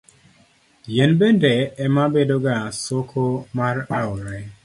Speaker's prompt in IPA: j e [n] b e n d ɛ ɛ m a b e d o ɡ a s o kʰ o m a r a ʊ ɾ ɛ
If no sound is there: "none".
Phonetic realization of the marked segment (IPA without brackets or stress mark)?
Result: n